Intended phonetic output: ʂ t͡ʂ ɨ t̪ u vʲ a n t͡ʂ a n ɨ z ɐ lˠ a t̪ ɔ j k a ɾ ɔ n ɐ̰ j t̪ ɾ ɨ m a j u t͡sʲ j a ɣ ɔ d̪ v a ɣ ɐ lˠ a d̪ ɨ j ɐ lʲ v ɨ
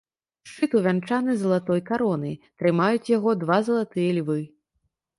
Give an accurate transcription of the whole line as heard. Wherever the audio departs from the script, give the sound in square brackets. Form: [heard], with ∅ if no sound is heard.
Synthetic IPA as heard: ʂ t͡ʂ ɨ t̪ u vʲ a n t͡ʂ a n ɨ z ɐ lˠ a t̪ ɔ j k a ɾ ɔ n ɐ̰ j t̪ ɾ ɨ m a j u t͡sʲ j a ɣ ɔ d̪ v a [z] ɐ lˠ a [t̪] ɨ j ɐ lʲ v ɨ